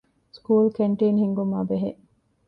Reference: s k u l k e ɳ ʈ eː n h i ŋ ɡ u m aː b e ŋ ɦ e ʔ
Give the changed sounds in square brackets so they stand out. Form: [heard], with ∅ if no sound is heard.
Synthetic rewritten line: s k [uː] l k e ɳ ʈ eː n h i ŋ ɡ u m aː b e [∅] ɦ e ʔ

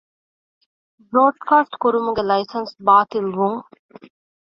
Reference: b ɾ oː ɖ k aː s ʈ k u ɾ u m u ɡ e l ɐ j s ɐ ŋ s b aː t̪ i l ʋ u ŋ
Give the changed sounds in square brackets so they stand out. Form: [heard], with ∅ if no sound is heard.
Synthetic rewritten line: b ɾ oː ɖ k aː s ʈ k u ɾ u m u ɡ e l ɐ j s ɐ [n] s b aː t̪ i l ʋ u ŋ

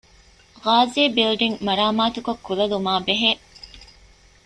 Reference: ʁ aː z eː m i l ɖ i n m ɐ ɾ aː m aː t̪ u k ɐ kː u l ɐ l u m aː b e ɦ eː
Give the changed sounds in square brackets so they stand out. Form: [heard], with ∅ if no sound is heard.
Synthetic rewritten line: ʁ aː z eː [b] i l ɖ i [ŋ] m ɐ ɾ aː m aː t̪ u k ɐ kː u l ɐ l u m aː b e ɦ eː

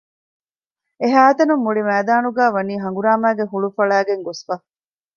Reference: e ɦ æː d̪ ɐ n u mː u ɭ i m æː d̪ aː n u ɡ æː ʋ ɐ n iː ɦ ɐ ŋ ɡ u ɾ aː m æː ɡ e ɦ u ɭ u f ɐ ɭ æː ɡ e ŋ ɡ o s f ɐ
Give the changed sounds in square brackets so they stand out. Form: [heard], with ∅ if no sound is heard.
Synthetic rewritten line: e ɦ æː [t̪] ɐ n u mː u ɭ i m æː d̪ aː n u ɡ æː ʋ ɐ n iː ɦ ɐ ŋ ɡ u ɾ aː m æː ɡ e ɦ u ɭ u f ɐ ɭ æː ɡ e ŋ ɡ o s f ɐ

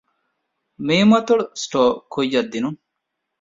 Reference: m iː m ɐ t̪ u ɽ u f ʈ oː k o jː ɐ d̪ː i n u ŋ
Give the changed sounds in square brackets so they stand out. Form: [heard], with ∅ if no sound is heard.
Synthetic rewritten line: m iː m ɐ t̪ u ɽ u [s] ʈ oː k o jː ɐ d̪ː i n u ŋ

